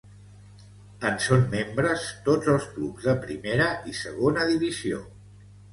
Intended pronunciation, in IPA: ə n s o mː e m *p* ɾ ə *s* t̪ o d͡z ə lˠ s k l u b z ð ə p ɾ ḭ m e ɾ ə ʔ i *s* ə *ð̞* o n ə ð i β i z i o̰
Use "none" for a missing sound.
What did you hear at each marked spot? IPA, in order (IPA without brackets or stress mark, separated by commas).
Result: b, s, s, ɣ̞